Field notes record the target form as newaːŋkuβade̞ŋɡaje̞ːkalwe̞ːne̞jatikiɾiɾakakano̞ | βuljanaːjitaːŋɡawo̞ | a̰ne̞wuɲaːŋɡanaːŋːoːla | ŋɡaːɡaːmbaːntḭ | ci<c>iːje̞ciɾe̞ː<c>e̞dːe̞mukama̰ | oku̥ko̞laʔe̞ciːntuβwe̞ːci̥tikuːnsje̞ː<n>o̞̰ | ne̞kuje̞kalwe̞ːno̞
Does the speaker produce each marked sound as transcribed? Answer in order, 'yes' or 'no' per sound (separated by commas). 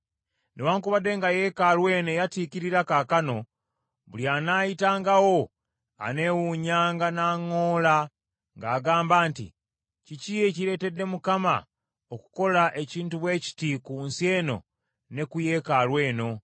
yes, no, yes